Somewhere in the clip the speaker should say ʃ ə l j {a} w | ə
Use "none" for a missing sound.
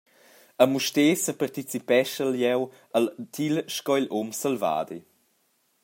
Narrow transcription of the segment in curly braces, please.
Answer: ɛ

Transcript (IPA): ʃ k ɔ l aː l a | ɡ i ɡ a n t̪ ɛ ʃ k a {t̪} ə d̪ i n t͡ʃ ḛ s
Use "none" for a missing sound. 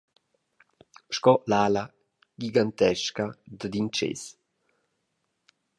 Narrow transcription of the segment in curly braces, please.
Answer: d̪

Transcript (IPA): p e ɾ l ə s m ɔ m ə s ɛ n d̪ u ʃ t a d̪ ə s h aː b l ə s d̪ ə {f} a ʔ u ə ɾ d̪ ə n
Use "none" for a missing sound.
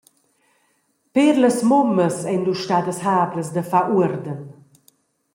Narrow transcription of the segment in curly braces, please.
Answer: f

